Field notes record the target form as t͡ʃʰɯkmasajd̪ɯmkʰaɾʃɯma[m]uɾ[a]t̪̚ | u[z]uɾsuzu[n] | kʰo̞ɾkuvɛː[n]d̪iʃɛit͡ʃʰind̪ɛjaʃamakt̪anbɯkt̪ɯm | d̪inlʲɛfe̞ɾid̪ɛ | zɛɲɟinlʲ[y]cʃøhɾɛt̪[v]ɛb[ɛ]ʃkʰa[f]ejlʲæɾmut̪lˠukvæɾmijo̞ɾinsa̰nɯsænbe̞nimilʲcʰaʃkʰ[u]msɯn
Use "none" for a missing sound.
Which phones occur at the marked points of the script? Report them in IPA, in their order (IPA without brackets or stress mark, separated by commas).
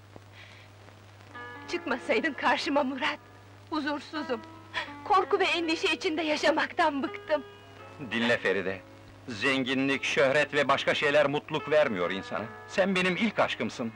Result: m, a, z, m, n, i, v, a, ʃ, ɯ